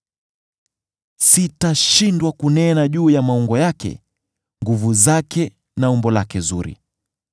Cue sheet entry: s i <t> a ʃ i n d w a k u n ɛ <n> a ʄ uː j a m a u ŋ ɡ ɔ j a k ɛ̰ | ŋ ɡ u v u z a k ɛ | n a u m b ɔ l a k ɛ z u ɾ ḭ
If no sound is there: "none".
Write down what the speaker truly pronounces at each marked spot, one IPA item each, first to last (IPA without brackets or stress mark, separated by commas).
t, n